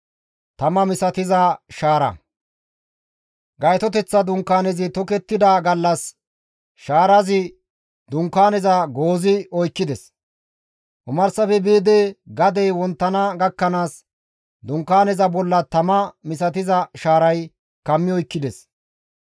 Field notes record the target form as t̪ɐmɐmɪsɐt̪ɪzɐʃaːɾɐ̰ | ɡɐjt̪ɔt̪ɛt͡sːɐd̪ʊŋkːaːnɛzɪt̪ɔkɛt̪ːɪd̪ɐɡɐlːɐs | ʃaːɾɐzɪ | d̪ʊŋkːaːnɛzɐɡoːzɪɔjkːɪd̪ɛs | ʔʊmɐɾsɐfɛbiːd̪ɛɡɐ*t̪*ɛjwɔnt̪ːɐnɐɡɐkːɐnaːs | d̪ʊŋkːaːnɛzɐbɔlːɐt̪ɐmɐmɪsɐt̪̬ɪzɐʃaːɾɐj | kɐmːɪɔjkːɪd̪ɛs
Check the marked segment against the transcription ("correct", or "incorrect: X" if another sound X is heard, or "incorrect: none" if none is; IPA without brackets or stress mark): incorrect: d̪